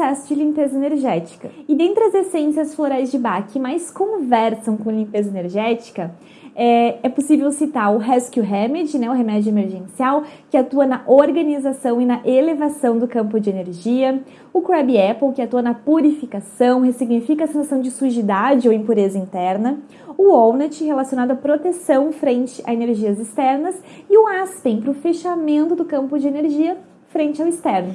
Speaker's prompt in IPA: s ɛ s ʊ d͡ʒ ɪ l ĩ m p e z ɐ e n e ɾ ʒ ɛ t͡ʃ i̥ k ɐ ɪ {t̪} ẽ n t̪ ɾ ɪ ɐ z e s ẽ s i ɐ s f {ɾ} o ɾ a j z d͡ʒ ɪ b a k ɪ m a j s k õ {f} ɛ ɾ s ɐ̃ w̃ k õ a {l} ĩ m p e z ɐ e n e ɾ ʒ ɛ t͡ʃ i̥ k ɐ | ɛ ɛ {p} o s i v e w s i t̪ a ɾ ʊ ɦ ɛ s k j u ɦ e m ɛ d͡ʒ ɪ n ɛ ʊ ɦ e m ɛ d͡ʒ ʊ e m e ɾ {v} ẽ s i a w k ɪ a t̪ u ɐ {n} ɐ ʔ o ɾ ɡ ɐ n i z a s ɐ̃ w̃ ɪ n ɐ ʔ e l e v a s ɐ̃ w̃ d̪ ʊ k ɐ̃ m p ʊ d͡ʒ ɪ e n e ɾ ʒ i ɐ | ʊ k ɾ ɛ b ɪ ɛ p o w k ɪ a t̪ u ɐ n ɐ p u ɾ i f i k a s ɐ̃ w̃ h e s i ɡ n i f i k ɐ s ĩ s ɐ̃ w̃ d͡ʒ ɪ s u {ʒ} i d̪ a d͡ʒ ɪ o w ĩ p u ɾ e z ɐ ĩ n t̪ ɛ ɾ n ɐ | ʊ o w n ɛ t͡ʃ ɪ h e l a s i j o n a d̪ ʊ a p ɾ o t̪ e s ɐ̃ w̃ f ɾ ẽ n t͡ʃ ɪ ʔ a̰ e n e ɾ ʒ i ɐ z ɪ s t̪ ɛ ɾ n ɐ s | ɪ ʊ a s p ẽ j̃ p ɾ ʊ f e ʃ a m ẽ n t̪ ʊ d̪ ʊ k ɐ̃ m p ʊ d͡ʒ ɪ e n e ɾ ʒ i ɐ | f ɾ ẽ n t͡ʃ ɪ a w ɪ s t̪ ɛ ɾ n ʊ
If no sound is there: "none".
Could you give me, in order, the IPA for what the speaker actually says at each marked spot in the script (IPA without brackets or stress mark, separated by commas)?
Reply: d̪, l, v, l, p, ʒ, n, ʒ